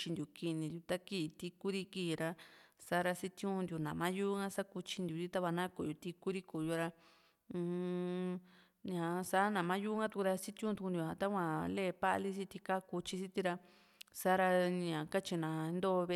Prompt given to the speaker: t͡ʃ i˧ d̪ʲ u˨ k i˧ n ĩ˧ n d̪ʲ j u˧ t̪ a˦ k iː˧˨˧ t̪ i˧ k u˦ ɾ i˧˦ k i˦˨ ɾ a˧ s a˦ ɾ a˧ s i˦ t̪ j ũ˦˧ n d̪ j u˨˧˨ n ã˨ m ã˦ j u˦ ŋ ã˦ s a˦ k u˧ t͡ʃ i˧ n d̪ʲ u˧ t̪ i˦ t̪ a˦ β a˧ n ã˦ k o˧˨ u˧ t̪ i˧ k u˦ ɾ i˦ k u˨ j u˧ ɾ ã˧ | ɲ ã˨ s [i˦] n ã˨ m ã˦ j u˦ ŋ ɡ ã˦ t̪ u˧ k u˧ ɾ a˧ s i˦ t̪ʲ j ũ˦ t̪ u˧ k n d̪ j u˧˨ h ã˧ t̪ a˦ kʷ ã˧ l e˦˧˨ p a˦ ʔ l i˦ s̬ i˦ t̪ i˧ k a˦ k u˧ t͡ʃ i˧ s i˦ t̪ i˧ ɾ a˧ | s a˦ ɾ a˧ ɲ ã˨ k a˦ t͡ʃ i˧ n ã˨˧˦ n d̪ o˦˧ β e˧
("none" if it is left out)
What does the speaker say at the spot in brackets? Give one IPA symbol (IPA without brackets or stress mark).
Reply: a˦